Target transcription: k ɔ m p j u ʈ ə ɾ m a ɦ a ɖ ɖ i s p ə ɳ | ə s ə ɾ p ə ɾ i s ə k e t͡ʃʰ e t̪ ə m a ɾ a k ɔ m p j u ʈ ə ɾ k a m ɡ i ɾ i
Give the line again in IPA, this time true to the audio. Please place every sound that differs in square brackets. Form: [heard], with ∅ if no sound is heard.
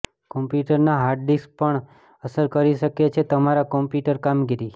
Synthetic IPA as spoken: k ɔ m p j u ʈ ə ɾ [n] a ɦ a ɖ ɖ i s p ə ɳ | ə s ə ɾ [k] ə ɾ i [ʃ] ə k e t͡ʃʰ e t̪ ə m a ɾ a k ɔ m p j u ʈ ə ɾ k a m ɡ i ɾ i